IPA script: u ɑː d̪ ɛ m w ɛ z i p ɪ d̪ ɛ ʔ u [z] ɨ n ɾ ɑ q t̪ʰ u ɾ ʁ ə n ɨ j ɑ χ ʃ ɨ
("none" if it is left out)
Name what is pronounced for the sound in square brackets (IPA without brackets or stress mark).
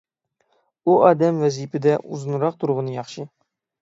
z